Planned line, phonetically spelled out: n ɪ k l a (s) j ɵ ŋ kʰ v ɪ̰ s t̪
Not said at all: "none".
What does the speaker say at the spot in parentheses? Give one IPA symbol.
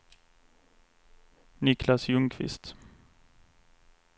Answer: s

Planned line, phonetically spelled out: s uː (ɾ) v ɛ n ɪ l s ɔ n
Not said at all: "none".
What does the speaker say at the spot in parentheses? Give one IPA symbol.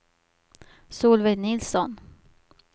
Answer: l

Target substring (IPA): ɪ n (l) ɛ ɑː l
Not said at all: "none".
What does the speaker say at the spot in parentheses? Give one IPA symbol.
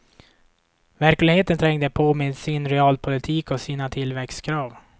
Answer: ɾ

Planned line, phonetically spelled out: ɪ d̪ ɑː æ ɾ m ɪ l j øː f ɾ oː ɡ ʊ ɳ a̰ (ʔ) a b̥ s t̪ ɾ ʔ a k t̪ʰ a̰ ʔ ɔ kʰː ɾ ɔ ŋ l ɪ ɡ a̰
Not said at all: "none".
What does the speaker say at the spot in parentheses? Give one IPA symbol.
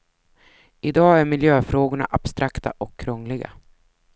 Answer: ʔ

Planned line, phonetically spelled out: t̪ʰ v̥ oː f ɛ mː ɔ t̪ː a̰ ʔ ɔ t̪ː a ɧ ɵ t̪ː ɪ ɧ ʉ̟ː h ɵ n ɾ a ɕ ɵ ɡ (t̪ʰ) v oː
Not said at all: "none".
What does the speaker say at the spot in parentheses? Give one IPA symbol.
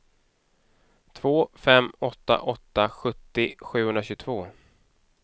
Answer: t̪ʰ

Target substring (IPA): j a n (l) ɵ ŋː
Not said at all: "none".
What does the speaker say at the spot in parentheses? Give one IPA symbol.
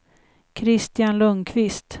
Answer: l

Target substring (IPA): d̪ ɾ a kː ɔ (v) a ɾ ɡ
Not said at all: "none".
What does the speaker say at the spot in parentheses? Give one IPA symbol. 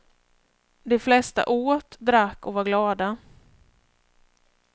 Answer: v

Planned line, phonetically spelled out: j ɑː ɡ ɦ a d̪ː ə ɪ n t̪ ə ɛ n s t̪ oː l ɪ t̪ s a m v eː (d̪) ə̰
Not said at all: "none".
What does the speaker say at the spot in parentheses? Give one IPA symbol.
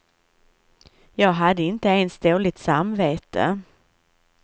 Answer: t̪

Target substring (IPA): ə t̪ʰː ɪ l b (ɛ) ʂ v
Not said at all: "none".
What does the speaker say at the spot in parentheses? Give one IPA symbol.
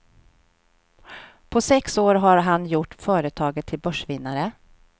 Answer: œ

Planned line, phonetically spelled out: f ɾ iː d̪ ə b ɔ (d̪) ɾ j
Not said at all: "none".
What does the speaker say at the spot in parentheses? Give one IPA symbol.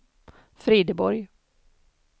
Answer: none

